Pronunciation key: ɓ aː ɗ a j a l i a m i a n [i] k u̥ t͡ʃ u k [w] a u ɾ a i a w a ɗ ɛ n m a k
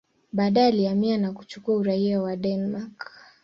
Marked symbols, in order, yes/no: no, no

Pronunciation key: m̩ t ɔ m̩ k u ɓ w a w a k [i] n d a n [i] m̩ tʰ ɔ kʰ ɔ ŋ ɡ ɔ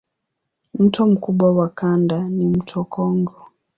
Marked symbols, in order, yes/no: no, yes

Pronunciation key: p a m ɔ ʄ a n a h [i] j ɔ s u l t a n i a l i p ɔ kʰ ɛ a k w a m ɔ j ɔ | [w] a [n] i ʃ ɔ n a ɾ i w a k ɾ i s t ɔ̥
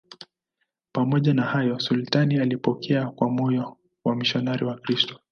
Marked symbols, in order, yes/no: no, yes, no

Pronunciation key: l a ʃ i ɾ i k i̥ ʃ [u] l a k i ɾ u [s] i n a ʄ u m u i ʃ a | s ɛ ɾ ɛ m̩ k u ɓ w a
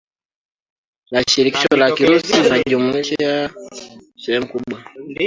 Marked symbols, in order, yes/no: no, yes

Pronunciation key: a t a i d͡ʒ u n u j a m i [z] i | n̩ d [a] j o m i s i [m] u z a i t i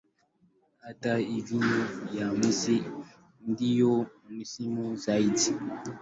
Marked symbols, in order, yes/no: no, no, yes

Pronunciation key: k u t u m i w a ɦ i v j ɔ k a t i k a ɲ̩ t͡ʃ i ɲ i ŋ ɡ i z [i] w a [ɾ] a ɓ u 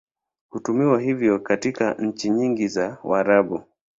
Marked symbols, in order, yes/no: no, yes

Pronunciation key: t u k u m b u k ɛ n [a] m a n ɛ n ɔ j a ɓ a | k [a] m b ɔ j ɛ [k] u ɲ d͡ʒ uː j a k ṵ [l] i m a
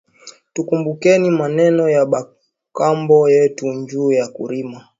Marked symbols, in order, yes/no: no, yes, no, no

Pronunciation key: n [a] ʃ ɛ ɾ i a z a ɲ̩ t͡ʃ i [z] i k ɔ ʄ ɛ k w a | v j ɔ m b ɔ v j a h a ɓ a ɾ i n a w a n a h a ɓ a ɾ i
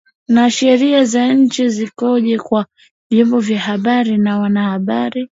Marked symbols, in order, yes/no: yes, yes

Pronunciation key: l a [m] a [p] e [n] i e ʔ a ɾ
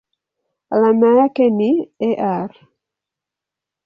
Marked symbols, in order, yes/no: yes, no, yes

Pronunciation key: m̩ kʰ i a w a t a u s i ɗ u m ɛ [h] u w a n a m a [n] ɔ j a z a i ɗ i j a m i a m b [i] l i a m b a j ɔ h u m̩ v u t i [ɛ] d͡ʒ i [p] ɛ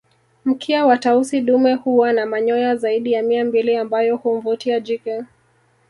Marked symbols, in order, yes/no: yes, no, yes, no, no

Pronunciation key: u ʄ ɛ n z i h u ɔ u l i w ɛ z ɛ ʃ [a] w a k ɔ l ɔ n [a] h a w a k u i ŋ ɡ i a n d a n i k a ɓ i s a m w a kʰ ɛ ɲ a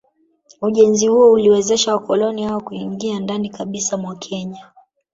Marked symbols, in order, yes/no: yes, no

